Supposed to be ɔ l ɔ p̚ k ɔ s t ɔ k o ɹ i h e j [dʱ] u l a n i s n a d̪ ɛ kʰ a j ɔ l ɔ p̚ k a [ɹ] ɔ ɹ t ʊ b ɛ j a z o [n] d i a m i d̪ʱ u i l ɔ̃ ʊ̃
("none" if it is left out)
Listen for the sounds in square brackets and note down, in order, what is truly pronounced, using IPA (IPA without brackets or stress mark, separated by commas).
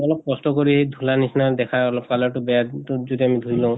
dʱ, l, none